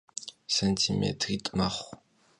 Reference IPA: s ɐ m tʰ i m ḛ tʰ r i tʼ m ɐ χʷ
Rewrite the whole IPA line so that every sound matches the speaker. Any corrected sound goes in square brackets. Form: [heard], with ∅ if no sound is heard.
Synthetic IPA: s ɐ [n] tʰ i m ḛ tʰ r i tʼ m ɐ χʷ